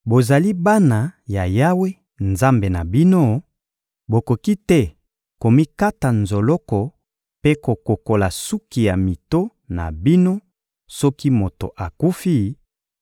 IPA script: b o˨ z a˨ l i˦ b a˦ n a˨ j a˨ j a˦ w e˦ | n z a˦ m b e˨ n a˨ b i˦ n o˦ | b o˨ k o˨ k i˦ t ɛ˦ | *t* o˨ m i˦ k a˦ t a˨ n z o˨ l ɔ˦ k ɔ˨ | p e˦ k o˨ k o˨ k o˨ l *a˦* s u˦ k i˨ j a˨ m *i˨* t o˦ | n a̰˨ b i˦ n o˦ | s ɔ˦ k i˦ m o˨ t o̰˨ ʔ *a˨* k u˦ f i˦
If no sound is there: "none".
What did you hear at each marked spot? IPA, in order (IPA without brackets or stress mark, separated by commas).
k, a˨, i˨, a˨